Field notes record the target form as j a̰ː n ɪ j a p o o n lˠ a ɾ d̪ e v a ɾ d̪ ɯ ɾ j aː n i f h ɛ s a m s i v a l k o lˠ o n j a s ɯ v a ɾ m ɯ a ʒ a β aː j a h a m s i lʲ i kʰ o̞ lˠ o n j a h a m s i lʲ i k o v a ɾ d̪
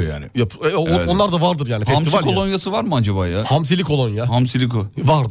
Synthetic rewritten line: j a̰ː n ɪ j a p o o n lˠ a ɾ d̪ a v a ɾ d̪ ɯ ɾ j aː n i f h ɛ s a m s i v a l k o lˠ o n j a s ɯ v a ɾ m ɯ a d͡ʒ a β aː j a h a m s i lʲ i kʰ o̞ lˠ o n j a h a m s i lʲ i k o v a ɾ d̪